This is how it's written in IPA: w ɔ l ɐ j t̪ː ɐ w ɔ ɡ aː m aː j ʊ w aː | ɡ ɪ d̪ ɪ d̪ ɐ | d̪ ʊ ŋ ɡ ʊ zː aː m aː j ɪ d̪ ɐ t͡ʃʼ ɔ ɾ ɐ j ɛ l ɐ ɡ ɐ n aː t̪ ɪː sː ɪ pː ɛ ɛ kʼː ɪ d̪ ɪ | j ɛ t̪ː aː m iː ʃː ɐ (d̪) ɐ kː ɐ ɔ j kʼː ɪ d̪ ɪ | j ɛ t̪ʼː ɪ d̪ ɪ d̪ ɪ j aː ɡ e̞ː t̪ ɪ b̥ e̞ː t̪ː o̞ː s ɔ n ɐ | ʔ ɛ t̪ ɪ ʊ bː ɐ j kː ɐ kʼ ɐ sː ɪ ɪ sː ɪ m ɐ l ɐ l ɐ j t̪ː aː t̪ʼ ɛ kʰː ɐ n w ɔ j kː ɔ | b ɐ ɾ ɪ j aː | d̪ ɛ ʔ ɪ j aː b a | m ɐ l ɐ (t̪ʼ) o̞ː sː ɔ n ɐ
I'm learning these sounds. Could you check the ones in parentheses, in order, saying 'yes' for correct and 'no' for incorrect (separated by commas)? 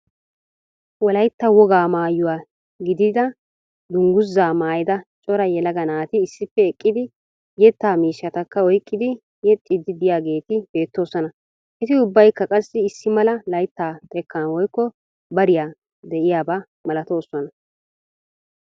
no, no